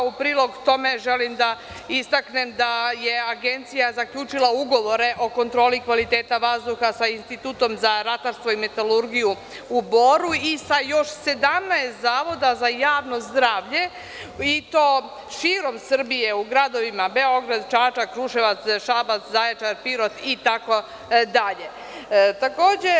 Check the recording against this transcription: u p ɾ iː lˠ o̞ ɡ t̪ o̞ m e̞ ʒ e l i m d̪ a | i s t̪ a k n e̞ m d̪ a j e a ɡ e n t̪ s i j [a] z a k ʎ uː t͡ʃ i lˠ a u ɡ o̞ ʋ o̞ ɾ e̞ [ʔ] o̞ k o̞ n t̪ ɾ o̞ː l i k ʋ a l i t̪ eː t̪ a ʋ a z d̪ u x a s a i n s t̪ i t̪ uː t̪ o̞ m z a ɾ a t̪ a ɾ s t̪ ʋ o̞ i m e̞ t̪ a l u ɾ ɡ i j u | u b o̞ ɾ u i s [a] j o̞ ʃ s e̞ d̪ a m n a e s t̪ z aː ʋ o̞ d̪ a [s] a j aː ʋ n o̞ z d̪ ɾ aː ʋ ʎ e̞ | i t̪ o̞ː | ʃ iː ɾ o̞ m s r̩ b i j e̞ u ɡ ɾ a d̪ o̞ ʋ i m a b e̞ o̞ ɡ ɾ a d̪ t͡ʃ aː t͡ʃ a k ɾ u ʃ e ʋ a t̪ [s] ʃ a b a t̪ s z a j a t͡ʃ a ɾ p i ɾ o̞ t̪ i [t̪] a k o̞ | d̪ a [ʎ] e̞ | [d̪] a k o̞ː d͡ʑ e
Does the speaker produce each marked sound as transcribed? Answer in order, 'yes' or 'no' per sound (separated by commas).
yes, yes, yes, no, yes, yes, yes, no